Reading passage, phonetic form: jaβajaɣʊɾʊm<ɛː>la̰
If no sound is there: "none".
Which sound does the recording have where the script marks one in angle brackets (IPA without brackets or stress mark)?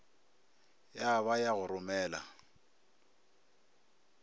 ɛː